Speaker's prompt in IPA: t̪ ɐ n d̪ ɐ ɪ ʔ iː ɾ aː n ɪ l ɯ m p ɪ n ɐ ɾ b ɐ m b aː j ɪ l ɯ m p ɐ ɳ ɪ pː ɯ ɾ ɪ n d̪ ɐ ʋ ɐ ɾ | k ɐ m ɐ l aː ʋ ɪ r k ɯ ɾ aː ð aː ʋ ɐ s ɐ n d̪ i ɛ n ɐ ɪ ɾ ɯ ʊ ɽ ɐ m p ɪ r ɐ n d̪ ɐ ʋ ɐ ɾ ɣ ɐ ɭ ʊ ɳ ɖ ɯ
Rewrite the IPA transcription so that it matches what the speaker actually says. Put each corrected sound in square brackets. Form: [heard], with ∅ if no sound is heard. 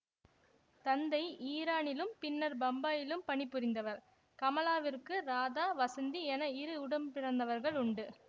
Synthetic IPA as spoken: t̪ ɐ n d̪ ɐ ɪ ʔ iː ɾ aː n ɪ l ɯ m p ɪ [nː] ɐ ɾ b ɐ m b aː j ɪ l ɯ m p ɐ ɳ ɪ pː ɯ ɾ ɪ n d̪ ɐ ʋ ɐ ɾ | k ɐ m ɐ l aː ʋ ɪ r k ɯ ɾ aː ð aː ʋ ɐ s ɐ n d̪ i ɛ n ɐ ɪ ɾ ɯ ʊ ɽ ɐ m p ɪ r ɐ n d̪ ɐ ʋ ɐ ɾ ɣ ɐ ɭ ʊ ɳ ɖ ɯ